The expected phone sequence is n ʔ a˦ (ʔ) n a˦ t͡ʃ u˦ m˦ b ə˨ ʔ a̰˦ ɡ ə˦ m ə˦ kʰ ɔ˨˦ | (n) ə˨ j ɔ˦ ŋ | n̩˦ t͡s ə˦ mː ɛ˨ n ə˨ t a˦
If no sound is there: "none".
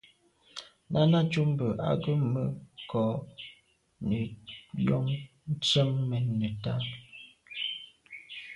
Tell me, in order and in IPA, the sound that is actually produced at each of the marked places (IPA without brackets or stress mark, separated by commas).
none, n